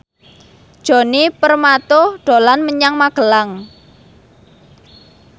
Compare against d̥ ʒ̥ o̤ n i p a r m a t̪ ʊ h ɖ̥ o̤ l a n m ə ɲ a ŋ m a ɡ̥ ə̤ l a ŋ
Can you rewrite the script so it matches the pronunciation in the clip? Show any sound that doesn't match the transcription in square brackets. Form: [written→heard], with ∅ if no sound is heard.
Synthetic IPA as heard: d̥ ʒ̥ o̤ n i p [a→ə] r m a t̪ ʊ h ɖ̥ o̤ l a n m ə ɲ a ŋ m a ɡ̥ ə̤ l a ŋ

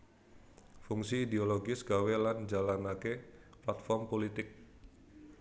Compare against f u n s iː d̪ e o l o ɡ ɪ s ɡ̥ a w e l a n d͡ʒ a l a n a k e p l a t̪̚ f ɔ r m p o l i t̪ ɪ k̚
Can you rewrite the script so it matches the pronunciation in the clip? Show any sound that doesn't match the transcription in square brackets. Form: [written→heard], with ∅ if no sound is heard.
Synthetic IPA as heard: f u [n→ŋ] s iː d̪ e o l o ɡ ɪ s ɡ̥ a w e l a n d͡ʒ a l a n a k e p l a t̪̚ f ɔ r m p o l i t̪ ɪ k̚

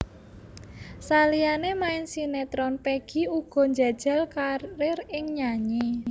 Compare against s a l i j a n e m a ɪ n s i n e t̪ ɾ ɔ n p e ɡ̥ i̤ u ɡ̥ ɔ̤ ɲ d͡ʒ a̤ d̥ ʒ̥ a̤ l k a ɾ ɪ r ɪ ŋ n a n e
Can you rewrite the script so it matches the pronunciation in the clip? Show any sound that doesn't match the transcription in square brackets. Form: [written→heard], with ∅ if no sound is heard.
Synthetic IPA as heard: s a l i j a n e m a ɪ n s i n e t̪ ɾ ɔ n p e ɡ̥ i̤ u ɡ̥ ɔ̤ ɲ d͡ʒ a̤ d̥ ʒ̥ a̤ l k a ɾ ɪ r ɪ ŋ [n→ɲ] a [n→ɲ] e

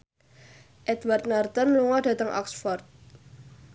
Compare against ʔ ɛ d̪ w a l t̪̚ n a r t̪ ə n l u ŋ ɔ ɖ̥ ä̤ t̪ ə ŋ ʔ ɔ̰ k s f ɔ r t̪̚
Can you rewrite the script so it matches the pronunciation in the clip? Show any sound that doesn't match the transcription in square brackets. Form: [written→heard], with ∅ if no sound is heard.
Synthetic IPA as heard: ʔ ɛ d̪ w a [l→r] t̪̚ n a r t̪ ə n l u ŋ ɔ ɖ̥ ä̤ t̪ ə ŋ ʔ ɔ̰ k s f ɔ r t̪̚

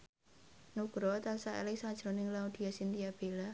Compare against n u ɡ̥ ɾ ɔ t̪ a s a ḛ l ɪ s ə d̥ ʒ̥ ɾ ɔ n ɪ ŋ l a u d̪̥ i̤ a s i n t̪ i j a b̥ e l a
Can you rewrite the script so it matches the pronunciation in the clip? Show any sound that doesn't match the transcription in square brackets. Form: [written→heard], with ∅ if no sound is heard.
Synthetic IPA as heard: n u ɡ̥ ɾ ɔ t̪ a s a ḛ l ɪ s [ə→a] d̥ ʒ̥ ɾ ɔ n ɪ ŋ l a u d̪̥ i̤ a s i n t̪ i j a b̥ e l a

